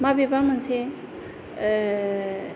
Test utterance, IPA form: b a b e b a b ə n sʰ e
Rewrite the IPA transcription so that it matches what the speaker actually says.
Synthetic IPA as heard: m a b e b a m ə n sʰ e